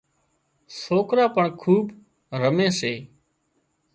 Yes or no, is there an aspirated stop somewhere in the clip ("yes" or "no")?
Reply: yes